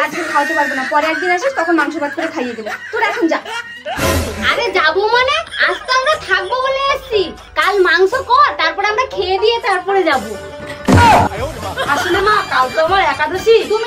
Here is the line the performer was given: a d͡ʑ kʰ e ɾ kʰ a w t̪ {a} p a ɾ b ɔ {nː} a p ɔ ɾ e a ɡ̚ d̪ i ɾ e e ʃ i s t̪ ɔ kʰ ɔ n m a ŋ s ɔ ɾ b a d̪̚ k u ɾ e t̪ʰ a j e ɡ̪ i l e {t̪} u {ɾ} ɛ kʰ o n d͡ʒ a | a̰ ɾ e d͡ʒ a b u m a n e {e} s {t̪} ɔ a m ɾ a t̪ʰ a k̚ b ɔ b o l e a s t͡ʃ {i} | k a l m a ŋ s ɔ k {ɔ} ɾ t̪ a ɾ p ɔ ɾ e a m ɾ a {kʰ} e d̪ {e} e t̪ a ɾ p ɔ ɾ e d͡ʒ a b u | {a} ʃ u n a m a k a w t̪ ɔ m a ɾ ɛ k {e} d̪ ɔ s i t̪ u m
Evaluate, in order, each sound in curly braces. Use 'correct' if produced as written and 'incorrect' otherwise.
incorrect, incorrect, correct, correct, incorrect, correct, correct, correct, correct, incorrect, correct, incorrect

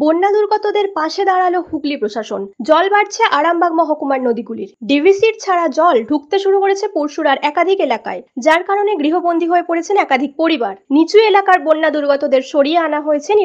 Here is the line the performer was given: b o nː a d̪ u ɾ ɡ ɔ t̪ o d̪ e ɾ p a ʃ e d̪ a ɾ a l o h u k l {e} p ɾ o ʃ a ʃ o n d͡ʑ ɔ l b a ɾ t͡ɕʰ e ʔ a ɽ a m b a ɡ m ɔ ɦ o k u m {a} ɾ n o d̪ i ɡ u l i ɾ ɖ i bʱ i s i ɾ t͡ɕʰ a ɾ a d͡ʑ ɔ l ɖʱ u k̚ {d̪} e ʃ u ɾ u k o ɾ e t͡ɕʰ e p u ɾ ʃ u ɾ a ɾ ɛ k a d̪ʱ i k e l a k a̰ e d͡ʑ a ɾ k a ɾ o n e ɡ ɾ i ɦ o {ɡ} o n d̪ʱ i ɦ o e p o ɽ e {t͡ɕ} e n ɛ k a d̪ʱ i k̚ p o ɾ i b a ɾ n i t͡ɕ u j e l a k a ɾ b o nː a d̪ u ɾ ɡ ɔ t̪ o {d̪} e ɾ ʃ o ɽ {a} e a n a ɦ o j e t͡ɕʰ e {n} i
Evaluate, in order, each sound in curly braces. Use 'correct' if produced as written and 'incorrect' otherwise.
incorrect, correct, incorrect, incorrect, incorrect, correct, incorrect, correct

